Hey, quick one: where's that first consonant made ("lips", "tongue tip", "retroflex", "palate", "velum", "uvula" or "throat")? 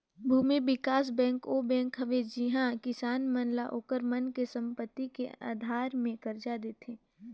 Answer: lips